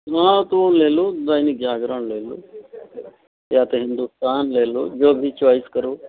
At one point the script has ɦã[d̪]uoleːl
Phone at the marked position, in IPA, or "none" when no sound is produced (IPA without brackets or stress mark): t̪